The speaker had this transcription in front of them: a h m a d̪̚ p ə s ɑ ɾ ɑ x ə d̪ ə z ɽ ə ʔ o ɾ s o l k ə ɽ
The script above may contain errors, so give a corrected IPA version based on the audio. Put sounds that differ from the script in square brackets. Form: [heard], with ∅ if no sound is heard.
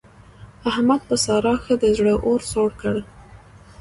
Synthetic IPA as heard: a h m a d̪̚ p ə s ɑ ɾ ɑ x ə d̪ ə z ɽ ə ʔ o ɾ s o [ɽ] k ə ɽ